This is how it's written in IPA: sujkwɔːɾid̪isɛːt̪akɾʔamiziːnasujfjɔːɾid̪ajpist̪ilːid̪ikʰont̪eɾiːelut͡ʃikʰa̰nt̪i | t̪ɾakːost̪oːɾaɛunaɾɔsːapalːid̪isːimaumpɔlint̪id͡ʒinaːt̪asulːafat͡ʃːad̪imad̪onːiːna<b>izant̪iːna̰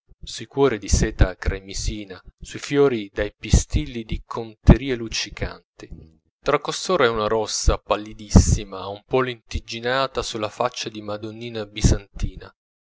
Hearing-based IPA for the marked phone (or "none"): b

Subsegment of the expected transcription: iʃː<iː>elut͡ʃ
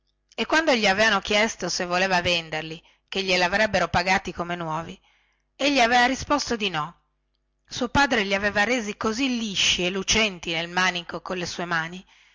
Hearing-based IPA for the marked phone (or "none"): i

